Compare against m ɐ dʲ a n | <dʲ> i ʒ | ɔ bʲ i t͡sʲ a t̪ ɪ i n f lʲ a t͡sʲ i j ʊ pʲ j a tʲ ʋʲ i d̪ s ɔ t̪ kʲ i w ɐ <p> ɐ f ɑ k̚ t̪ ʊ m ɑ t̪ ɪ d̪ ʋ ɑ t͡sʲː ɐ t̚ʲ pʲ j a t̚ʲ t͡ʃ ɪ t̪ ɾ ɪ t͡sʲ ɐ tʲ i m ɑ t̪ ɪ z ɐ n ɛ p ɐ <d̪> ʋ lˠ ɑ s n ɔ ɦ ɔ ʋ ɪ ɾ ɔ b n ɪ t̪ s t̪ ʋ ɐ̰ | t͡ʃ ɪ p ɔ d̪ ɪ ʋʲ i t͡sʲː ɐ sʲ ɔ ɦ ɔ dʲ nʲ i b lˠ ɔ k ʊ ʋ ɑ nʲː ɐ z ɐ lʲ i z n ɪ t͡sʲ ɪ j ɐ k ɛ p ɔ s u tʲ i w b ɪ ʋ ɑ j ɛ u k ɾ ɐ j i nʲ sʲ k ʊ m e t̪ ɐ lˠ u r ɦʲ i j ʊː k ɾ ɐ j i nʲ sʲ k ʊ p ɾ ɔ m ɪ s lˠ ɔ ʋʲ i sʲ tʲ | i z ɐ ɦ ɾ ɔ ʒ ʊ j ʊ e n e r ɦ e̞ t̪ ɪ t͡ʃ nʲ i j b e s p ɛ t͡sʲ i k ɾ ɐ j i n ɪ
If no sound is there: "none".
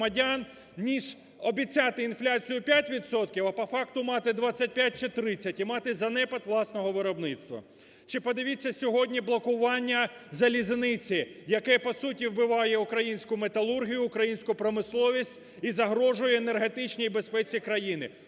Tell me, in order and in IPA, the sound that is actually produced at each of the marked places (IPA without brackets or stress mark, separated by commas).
nʲ, p, t̪